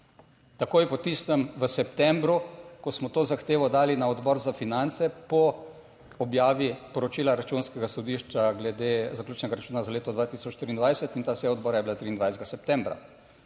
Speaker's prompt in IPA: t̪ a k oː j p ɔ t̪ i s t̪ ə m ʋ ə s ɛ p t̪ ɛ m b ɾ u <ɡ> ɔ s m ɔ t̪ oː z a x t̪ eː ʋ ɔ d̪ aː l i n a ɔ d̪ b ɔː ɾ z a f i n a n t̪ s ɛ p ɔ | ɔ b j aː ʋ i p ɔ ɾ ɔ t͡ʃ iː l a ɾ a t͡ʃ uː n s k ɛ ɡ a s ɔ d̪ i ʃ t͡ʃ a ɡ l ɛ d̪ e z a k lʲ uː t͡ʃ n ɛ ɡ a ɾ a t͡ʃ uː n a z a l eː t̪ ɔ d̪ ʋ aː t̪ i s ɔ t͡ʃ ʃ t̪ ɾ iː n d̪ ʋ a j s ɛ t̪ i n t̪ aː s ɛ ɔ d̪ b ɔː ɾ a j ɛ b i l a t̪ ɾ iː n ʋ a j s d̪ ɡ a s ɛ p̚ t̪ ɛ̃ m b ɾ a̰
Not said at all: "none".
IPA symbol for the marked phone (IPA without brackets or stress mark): k